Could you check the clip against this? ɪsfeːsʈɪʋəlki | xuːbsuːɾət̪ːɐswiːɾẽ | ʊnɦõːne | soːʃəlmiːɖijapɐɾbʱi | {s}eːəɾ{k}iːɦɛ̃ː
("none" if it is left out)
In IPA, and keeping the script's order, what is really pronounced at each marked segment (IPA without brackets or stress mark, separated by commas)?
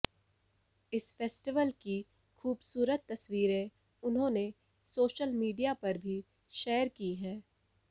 ʃ, k